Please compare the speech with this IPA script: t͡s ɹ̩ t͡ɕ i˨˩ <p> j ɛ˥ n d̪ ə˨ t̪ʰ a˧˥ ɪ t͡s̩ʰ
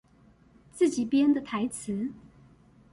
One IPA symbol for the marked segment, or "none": p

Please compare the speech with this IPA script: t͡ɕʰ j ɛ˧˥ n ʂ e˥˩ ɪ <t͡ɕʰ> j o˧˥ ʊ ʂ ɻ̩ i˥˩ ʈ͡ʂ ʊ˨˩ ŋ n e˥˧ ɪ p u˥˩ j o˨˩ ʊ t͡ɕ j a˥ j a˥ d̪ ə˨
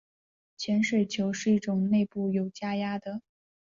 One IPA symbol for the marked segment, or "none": t͡ɕʰ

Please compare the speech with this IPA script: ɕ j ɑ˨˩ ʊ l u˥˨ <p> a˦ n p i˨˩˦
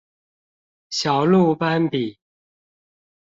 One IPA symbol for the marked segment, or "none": p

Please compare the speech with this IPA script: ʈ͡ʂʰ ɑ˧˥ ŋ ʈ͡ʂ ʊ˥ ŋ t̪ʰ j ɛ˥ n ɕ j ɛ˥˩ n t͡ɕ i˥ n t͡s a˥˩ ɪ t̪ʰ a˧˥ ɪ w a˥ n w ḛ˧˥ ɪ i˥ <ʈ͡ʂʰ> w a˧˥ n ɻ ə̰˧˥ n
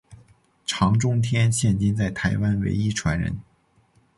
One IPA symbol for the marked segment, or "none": ʈ͡ʂʰ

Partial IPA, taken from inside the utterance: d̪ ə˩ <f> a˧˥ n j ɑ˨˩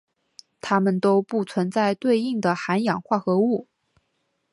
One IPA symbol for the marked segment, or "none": x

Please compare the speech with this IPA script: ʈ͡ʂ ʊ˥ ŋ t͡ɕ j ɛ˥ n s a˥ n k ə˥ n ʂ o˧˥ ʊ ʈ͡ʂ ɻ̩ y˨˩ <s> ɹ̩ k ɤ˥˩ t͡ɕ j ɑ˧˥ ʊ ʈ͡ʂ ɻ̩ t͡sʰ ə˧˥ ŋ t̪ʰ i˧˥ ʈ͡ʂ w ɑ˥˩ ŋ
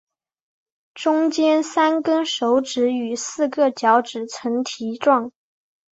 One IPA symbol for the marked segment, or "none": s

